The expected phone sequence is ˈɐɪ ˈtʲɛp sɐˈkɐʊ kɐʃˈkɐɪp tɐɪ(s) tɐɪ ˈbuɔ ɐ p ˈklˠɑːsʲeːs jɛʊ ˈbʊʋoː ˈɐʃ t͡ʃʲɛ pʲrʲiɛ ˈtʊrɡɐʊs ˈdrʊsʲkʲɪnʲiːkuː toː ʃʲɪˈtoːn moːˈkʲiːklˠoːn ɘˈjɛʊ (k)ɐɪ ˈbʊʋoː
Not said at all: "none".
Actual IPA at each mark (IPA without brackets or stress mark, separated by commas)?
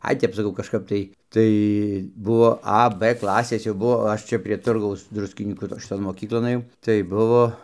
none, t